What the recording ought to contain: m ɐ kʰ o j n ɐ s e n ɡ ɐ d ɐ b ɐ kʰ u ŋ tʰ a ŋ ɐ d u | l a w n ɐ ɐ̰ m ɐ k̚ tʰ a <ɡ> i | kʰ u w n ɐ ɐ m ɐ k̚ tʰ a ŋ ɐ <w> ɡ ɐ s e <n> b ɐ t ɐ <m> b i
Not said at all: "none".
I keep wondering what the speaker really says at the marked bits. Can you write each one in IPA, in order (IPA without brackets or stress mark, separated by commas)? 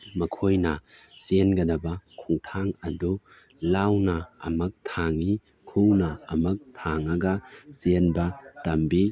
ŋ, none, n, m